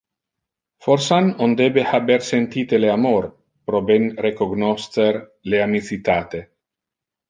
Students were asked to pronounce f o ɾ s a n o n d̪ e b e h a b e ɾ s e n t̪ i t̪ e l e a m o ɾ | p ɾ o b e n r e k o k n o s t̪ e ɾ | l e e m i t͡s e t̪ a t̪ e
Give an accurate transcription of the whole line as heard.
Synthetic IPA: f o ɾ s a n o n d̪ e b e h a b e ɾ s e n t̪ i t̪ e l e a m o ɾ | p ɾ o b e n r e k o ɡ n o s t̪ e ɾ | l e a m i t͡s i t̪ a t̪ e